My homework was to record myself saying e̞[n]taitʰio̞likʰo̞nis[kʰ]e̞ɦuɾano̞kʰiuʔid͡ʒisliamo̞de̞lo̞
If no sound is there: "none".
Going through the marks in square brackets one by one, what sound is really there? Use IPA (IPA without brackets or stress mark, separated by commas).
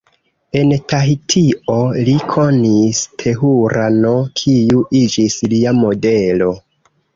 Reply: n, tʰ